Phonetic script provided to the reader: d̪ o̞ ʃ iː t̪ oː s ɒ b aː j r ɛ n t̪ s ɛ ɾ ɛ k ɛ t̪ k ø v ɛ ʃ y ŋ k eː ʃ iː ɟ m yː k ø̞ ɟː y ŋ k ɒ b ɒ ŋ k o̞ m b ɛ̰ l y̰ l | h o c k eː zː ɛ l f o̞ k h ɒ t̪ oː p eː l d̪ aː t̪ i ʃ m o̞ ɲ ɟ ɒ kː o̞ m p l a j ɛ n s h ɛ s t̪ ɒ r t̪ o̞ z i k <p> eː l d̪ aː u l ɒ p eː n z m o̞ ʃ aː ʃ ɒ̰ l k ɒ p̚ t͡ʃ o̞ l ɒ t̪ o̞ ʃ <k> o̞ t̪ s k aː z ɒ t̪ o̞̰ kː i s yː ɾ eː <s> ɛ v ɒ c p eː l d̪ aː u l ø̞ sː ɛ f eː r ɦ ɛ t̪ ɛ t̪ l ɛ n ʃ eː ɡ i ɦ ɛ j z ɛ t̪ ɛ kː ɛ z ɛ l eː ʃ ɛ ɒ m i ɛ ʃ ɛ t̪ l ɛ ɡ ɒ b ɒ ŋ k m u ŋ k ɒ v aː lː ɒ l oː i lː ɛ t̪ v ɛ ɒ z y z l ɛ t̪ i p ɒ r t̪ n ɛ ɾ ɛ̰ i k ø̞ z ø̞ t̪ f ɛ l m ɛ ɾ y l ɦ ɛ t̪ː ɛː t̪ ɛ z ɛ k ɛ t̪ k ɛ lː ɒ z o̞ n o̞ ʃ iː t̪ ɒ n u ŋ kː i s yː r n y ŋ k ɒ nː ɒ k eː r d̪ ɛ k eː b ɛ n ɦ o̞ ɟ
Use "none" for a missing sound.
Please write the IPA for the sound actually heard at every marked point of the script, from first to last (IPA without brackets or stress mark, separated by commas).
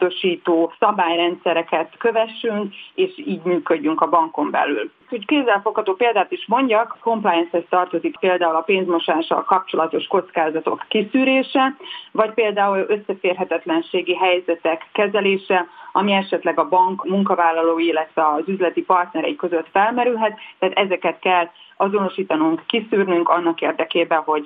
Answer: p, k, ʃ